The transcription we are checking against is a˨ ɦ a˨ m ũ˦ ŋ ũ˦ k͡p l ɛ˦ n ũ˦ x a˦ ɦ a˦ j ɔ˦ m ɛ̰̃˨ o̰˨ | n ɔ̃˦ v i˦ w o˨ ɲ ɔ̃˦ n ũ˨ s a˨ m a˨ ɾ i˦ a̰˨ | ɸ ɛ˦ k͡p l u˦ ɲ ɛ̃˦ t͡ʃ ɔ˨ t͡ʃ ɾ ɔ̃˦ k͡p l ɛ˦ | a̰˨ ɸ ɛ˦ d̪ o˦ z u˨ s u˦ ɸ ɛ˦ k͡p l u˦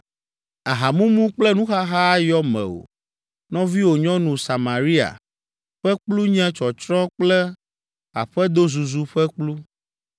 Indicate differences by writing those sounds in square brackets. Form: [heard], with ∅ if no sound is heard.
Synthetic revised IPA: a˨ ɦ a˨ m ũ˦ [m] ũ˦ k͡p l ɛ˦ n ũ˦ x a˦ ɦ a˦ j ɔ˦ m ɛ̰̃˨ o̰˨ | n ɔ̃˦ v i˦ w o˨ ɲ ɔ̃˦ n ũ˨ s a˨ m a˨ ɾ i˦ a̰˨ | ɸ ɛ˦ k͡p l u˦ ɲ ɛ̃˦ t͡ʃ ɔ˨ t͡ʃ ɾ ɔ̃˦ k͡p l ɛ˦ | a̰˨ ɸ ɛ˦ d̪ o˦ z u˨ [z] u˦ ɸ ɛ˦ k͡p l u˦